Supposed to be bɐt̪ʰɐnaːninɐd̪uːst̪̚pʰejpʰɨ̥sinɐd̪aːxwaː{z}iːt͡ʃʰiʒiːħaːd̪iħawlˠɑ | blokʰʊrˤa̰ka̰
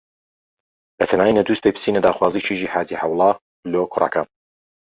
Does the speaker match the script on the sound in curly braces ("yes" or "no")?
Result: yes